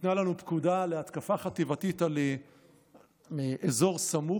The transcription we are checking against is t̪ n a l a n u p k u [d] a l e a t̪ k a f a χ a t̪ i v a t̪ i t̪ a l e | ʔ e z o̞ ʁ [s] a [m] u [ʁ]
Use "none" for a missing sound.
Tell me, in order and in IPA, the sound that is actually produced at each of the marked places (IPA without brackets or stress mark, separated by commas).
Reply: d, s, m, none